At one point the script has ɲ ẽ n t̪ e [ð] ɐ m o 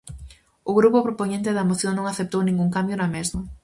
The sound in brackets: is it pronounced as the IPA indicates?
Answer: yes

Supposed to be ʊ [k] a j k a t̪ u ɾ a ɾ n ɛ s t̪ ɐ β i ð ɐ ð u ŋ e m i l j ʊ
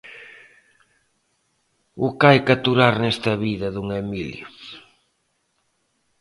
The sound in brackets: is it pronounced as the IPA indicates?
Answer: yes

